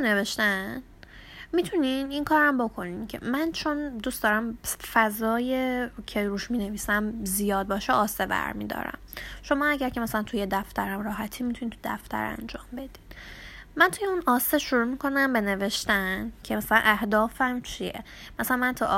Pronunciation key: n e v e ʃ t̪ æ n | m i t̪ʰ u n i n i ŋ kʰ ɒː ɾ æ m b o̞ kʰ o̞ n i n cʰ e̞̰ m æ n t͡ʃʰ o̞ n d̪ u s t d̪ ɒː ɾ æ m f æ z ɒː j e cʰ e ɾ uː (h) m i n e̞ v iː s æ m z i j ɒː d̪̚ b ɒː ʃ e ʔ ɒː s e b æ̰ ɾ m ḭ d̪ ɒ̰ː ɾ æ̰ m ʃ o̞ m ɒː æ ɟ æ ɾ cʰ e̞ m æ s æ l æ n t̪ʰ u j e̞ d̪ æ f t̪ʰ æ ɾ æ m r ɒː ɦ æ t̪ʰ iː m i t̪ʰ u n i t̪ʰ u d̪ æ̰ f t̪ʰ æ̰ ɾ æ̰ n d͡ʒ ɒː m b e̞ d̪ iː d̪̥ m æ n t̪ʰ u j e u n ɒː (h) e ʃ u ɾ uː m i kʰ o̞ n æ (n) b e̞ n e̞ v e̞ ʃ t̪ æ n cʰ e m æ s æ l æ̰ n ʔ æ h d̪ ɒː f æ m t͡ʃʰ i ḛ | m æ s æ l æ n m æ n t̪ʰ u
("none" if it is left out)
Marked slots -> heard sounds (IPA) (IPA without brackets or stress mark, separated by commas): ʃ, s, m